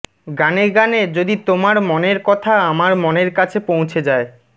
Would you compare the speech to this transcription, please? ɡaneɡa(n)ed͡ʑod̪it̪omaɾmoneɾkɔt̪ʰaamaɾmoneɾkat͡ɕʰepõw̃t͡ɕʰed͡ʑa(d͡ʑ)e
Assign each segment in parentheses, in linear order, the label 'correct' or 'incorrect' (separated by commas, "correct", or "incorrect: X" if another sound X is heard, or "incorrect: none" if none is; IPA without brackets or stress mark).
correct, incorrect: none